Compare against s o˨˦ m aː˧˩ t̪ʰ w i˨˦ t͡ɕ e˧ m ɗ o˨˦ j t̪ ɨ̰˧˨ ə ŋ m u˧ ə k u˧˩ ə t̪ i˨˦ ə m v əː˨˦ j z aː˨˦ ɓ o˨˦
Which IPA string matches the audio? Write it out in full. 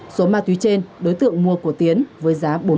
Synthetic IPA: s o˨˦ m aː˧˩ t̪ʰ w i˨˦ t͡ɕ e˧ n ɗ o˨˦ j t̪ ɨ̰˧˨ ə ŋ m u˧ ə k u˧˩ ə t̪ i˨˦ ə n v əː˨˦ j z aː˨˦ ɓ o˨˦